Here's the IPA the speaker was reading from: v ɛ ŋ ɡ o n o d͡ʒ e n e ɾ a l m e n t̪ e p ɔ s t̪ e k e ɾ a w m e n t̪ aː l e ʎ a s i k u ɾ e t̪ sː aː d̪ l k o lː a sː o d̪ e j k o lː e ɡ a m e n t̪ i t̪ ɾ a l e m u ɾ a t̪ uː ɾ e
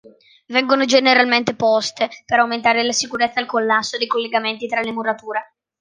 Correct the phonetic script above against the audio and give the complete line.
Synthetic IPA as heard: v ɛ ŋ ɡ o n o d͡ʒ e n e ɾ a l m e n t̪ e p ɔ s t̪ e p e ɾ a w m e n t̪ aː ɾ e l a s i k u ɾ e t̪ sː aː l k o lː a sː o d̪ e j k o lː e ɡ a m e n t̪ i t̪ ɾ a l e m u ɾ a t̪ uː ɾ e